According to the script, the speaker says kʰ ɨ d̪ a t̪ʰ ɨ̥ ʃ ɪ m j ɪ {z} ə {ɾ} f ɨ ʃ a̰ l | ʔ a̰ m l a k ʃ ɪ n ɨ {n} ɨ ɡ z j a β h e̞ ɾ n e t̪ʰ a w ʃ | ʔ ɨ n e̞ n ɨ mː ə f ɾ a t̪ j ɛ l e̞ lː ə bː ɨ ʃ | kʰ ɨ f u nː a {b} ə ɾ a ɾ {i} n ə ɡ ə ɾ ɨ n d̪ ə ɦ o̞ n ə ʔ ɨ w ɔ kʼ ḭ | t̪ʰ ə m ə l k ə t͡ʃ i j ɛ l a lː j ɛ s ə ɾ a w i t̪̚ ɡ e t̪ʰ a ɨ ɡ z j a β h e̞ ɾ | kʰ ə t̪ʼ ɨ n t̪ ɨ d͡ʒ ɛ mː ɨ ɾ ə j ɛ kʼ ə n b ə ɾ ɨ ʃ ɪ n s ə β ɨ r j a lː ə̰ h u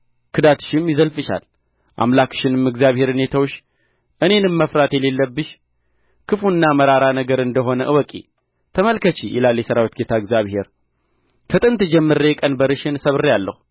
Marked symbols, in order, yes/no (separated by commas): yes, no, no, no, no